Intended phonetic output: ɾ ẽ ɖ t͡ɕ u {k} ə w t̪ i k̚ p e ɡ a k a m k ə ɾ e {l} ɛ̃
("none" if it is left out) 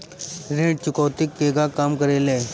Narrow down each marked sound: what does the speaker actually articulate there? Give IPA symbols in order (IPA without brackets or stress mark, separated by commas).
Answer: k, l